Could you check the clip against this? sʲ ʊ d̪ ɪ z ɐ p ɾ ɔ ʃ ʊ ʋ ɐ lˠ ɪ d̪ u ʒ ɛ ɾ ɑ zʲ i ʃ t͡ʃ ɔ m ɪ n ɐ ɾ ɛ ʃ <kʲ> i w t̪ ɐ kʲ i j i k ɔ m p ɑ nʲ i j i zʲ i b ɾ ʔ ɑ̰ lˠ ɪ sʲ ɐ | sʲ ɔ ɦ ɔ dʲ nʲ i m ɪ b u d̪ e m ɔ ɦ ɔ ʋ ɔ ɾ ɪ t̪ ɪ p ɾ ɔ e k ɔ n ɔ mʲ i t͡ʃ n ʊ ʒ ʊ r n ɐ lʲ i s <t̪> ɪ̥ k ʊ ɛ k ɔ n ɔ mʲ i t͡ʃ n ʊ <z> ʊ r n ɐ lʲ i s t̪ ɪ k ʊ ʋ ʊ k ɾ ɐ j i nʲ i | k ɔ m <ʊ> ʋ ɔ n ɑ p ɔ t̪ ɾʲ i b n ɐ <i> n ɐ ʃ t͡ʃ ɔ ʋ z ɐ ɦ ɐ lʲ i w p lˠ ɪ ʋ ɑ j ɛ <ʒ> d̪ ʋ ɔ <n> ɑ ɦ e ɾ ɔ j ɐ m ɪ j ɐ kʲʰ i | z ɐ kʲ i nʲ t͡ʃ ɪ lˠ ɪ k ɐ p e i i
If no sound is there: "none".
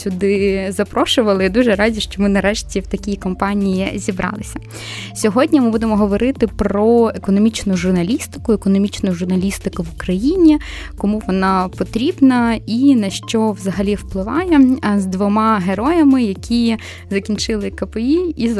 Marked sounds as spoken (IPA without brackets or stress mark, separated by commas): tʲ, t̪, ʒ, u, i, z, m